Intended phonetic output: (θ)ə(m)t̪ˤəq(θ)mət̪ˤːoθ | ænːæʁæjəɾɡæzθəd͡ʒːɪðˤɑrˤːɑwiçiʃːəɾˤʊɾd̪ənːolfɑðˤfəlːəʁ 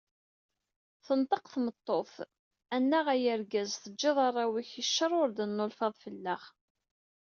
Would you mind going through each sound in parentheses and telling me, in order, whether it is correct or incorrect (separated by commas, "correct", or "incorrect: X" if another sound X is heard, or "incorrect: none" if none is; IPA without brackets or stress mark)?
correct, incorrect: n, correct